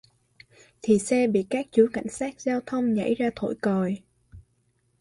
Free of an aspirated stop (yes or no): no